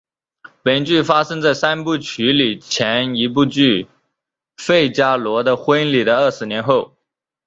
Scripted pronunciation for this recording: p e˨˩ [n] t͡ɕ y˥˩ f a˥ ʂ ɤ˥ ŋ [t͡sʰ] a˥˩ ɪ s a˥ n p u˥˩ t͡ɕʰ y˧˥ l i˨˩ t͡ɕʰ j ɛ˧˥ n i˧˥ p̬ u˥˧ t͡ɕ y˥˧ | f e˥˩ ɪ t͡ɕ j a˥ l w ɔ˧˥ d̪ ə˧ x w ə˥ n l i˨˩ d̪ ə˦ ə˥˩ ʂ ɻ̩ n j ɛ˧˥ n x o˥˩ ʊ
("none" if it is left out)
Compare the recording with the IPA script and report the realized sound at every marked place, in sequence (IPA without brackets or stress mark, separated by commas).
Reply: n, t͡s